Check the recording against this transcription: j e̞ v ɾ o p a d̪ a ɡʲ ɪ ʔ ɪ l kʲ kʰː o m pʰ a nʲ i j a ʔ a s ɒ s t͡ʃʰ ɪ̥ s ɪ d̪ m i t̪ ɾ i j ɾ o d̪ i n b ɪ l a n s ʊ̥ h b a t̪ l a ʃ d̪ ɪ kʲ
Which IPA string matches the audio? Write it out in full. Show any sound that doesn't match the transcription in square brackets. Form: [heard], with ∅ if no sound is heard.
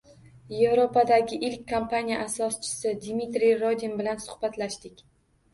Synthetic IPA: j e̞ v ɾ o p a d̪ a ɡʲ ɪ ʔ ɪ l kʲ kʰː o m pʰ a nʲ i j a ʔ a s ɒ s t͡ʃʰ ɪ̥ s ɪ d̪ m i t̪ ɾ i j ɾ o d̪ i n b ɪ l a n s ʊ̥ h b a t̪ l a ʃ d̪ ɪ kʲ